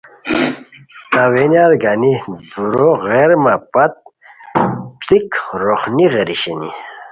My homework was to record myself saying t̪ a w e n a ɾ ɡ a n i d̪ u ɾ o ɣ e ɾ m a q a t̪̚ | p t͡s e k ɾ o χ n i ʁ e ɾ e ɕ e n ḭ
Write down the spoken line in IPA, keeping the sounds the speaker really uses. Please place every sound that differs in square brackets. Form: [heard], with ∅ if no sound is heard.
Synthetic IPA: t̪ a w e n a ɾ ɡ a n i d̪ u ɾ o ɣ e ɾ m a [p] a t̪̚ | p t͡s [i] k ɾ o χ n i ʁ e ɾ [i] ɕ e n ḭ

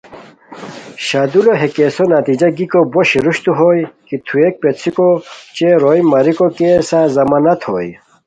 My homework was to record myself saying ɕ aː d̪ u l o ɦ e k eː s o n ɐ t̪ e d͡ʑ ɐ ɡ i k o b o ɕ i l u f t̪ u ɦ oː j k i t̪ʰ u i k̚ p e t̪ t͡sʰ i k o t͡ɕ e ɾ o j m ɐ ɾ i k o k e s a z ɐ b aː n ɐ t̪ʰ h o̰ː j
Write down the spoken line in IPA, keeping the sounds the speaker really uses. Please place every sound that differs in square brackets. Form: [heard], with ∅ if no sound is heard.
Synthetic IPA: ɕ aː d̪ u l o ɦ e k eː s o n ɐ t̪ [i] d͡ʑ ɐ ɡ i k o b o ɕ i [ɾ] u [ɕ] t̪ u ɦ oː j k i t̪ʰ u [e] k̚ p e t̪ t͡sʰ i k o t͡ɕ e ɾ o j m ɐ ɾ i k o k e s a z ɐ [m] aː n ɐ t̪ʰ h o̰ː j

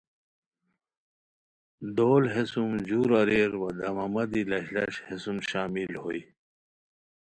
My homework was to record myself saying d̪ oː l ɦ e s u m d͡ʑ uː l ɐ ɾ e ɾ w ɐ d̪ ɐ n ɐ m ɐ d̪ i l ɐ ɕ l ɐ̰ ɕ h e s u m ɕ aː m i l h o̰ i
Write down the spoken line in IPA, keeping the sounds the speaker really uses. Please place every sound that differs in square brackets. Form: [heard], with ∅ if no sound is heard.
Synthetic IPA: d̪ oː l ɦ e s u m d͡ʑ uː [ɾ] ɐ ɾ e ɾ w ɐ d̪ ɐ [m] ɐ m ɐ d̪ i l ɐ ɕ l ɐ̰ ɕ h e s u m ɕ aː m i l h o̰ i

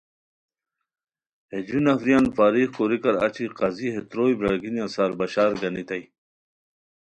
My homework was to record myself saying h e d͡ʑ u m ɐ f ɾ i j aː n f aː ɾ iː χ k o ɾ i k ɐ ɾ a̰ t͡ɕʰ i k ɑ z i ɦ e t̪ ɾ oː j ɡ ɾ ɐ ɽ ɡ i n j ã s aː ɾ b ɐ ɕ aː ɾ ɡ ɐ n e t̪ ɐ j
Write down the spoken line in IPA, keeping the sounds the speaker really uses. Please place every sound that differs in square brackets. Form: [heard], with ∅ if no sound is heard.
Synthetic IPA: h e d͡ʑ u [n] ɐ f ɾ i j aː n f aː ɾ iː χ k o ɾ i k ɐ ɾ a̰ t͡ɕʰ i [q] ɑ z i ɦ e t̪ ɾ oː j [b] ɾ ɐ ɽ ɡ i n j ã s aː ɾ b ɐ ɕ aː ɾ ɡ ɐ n [i] t̪ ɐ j

